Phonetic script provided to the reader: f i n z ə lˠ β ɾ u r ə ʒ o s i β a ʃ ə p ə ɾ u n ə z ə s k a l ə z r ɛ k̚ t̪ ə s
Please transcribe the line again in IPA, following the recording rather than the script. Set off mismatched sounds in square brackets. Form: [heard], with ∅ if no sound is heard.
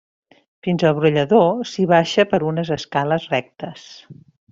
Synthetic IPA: f i n z ə lˠ β ɾ u [ʎ] ə [ð] o s i β a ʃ ə p ə ɾ u n ə z ə s k a l ə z r ɛ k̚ t̪ ə s